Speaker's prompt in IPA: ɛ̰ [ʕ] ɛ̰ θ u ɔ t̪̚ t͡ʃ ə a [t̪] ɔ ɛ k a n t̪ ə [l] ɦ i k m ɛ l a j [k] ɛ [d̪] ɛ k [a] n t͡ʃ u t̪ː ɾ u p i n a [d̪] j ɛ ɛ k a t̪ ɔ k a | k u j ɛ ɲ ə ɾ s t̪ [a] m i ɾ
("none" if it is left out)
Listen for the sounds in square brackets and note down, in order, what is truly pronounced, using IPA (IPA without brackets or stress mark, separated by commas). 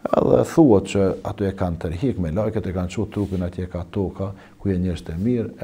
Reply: ð, t̪, ɾ, k, t̪, a, t̪, ɛ